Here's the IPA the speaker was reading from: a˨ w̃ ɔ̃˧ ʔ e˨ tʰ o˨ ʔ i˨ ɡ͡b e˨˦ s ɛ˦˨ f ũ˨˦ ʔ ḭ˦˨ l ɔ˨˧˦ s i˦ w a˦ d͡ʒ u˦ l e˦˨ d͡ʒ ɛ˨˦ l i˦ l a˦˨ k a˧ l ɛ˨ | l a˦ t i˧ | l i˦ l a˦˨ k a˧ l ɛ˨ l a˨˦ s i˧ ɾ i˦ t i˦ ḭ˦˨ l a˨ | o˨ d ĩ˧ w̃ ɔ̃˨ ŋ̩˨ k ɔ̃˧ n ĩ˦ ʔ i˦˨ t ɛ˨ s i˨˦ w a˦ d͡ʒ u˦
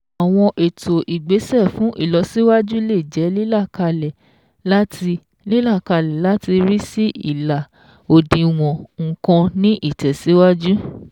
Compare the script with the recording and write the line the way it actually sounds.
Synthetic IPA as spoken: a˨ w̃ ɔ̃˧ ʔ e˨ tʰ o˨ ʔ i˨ ɡ͡b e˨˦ s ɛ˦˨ f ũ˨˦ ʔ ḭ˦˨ l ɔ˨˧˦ s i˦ w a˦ d͡ʒ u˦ l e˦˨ d͡ʒ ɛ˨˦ l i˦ l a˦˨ k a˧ l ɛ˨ | l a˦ t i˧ | l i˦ l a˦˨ k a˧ l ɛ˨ l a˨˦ t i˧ ɾ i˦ s i˦ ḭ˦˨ l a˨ | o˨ d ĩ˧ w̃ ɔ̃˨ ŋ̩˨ k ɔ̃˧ n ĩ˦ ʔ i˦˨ t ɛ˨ s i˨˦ w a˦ d͡ʒ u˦

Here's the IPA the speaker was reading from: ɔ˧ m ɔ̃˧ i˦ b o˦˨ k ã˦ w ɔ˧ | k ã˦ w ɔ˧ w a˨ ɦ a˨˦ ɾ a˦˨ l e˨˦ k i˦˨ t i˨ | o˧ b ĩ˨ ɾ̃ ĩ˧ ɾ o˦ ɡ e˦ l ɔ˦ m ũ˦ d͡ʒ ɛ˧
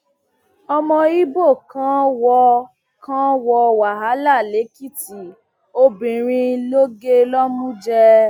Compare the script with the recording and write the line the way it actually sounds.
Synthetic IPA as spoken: ɔ˧ m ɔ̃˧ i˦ b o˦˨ k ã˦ w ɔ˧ | k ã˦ w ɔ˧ w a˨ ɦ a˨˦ l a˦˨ l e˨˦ k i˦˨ t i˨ | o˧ b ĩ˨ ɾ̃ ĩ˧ l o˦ ɡ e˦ l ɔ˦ m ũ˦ d͡ʒ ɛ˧

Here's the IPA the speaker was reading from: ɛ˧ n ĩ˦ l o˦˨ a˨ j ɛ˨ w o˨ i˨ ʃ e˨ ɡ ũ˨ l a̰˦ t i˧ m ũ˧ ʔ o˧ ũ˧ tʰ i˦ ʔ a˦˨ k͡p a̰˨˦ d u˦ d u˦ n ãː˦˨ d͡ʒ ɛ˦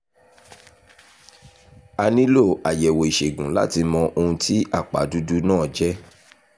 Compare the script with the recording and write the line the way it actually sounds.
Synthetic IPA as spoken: a˧ n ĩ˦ l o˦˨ a˨ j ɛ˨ w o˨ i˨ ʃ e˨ ɡ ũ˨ l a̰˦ t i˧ m ɔ̃˧ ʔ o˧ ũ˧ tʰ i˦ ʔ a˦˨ k͡p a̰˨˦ d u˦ d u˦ n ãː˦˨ d͡ʒ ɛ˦

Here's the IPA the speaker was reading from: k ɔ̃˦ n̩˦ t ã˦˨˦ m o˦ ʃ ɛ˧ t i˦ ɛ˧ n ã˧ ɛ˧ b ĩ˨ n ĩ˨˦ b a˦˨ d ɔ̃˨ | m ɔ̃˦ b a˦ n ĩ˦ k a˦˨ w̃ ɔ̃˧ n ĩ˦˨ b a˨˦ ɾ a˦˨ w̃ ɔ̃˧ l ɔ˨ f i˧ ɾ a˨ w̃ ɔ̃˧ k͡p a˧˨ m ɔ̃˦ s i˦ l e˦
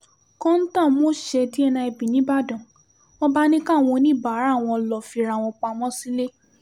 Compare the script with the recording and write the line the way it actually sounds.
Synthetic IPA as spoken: k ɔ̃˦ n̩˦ t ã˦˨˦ m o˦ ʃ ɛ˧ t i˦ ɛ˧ n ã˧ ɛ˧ b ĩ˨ n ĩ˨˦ b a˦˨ d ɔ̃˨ | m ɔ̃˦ b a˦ n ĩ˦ k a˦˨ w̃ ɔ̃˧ n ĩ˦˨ b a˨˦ ɾ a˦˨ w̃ ɔ̃˧ l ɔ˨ f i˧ ɾ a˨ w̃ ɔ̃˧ k͡p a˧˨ m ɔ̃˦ s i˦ l e˦

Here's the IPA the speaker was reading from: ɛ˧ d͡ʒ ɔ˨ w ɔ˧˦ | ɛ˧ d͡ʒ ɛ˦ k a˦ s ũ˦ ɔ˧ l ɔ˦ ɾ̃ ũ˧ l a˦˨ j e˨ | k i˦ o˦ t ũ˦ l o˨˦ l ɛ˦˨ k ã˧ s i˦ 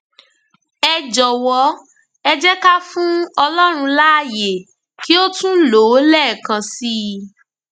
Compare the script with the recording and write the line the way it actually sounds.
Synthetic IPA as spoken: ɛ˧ d͡ʒ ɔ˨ w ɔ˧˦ | ɛ˧ d͡ʒ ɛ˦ k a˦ f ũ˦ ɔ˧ l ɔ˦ ɾ̃ ũ˧ l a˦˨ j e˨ | k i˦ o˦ t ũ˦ l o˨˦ l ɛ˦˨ k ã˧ s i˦

